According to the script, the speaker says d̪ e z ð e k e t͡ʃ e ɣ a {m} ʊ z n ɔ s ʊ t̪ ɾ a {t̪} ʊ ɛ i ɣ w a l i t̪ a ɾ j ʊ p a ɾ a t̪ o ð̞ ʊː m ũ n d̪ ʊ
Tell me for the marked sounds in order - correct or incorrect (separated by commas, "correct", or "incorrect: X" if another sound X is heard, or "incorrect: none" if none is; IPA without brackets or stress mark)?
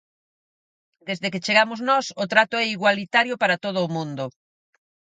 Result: correct, correct